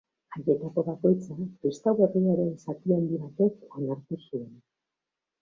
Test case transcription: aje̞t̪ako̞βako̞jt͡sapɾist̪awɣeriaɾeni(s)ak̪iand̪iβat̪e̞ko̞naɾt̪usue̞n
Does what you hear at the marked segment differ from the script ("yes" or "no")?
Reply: no